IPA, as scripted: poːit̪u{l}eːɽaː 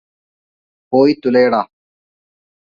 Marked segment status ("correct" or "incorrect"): correct